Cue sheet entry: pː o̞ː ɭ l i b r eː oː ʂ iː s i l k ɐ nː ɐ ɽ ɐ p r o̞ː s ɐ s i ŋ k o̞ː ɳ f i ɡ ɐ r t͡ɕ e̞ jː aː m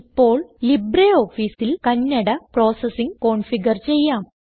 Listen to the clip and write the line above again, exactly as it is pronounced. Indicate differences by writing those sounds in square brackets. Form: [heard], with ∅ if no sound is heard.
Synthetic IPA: pː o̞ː ɭ l i b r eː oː [f] iː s i l k ɐ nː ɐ ɽ ɐ p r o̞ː s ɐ s i ŋ k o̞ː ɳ f i ɡ ɐ r t͡ɕ e̞ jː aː m